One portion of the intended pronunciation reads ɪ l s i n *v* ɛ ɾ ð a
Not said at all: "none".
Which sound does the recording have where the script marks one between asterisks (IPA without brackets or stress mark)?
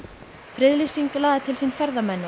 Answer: f